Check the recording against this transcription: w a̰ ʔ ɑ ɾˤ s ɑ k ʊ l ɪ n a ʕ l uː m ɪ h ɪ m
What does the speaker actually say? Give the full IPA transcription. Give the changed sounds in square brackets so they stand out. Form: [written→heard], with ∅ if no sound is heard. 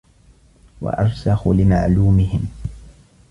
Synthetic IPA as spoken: w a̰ ʔ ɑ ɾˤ s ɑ [k→x] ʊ l ɪ [n→m] a ʕ l uː m ɪ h ɪ m